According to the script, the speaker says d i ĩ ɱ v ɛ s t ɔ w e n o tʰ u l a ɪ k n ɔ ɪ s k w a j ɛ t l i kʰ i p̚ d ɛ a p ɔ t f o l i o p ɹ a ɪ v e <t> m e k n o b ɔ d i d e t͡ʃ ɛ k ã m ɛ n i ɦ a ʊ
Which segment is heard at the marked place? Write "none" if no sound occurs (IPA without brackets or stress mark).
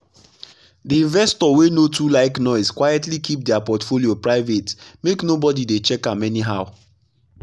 t